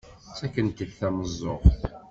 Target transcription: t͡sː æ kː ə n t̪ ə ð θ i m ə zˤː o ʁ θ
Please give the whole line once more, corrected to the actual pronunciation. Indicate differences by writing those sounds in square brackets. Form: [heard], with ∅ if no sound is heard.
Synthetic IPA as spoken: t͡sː æ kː ə n t̪ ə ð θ [æ] m ə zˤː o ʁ θ